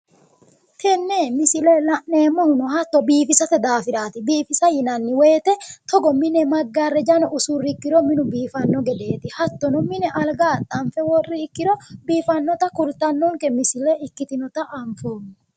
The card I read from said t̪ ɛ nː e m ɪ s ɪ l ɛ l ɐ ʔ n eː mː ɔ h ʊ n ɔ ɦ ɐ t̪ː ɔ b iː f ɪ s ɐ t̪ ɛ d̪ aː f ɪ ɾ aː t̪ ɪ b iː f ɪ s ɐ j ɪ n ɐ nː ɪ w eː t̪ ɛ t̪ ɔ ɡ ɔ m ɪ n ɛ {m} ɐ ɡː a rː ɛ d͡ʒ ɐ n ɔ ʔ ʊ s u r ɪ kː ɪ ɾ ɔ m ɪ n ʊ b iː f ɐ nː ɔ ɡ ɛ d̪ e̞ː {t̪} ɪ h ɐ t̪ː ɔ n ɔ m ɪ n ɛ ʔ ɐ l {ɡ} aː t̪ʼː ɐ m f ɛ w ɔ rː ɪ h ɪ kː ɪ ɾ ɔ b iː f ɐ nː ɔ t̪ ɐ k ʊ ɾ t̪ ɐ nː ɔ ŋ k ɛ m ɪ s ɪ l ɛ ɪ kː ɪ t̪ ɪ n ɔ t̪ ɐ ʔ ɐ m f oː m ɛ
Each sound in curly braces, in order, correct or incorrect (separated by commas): correct, correct, correct